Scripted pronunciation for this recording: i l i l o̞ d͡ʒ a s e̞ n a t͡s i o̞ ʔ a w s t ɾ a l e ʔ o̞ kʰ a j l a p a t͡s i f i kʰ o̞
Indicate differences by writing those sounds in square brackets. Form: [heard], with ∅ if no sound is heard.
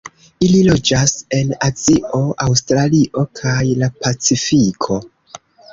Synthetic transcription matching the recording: i l i l o̞ d͡ʒ a s e̞ n a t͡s i o̞ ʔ a w s t ɾ a l [i] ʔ o̞ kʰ a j l a p a t͡s i f i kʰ o̞